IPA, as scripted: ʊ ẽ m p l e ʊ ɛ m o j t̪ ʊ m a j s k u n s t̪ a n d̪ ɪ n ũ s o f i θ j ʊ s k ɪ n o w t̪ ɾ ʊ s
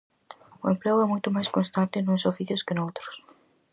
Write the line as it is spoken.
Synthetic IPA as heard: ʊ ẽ m p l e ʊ ɛ m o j t̪ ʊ m a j s k o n s t̪ a n t̪ ɪ n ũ s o f i θ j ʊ s k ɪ n o w t̪ ɾ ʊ s